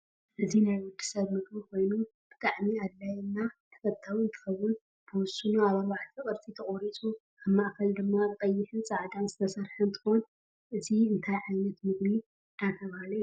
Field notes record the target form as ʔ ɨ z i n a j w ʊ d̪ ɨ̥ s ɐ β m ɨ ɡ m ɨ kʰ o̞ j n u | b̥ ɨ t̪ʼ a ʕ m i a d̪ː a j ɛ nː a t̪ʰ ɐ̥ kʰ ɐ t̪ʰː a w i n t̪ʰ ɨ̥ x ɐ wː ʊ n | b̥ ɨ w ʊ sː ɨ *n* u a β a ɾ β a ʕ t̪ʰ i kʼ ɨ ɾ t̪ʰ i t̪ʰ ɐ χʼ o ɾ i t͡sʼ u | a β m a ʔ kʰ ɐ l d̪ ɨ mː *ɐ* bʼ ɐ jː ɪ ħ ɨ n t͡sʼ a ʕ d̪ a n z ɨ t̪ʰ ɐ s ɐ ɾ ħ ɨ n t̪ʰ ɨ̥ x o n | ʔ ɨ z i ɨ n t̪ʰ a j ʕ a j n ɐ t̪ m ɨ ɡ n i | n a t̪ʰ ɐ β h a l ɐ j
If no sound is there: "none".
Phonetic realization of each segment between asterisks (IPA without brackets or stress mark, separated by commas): n, a